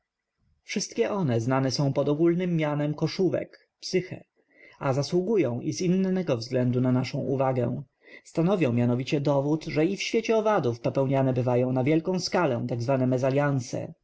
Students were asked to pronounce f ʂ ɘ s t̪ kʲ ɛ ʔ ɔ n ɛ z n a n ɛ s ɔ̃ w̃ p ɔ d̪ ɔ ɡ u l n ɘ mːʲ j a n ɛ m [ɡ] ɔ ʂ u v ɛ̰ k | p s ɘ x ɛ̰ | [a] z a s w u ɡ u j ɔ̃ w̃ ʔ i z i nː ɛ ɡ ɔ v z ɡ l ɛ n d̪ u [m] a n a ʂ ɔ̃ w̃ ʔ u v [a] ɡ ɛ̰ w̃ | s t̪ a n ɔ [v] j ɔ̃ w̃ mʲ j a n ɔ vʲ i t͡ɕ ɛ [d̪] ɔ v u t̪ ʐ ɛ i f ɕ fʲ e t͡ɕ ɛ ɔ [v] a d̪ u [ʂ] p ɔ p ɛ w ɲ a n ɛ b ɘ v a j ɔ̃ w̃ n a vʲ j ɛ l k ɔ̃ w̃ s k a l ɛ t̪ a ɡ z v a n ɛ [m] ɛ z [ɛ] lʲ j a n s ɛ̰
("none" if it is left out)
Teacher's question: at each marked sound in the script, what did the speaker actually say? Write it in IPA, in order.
k, a, n, a, v, d̪, v, f, m, a

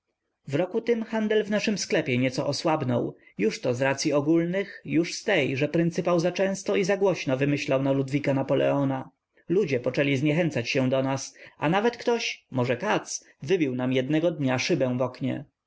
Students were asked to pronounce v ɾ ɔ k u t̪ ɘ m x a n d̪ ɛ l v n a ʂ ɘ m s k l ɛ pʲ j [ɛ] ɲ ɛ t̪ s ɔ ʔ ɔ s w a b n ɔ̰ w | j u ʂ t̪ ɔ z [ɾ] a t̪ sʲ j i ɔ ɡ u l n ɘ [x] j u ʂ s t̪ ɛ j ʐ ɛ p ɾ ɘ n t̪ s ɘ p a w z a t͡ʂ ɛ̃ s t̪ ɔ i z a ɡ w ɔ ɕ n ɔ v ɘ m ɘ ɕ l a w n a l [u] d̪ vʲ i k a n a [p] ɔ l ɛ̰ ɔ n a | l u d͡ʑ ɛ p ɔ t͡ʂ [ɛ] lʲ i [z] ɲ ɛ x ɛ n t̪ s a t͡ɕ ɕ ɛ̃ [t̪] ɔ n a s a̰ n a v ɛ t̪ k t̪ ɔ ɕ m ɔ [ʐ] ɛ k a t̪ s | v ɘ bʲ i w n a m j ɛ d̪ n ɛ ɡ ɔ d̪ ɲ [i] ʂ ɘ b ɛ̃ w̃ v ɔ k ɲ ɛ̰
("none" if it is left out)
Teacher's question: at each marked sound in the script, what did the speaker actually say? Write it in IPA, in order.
ɛ, ɾ, x, u, p, ɛ, z, d̪, ʐ, a

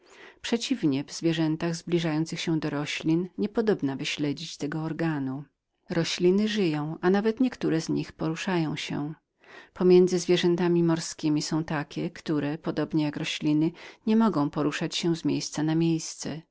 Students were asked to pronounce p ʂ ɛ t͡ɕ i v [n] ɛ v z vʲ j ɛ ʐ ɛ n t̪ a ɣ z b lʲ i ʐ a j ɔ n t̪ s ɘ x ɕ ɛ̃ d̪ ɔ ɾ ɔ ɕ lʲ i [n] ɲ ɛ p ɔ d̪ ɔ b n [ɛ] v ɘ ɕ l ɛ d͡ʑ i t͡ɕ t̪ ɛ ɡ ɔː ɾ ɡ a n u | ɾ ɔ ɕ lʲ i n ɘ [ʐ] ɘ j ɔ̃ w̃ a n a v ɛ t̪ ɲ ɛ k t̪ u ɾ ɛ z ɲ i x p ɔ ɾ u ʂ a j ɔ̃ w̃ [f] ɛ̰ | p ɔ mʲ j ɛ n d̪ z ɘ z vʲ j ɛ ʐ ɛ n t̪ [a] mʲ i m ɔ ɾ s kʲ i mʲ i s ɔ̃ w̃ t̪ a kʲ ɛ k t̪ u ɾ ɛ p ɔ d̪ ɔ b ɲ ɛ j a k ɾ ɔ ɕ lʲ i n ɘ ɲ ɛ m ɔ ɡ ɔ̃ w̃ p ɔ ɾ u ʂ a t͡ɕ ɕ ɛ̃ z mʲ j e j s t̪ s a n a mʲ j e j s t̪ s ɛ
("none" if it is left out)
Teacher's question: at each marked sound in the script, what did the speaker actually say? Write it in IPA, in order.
ɲ, n, a, ʐ, ɕ, a

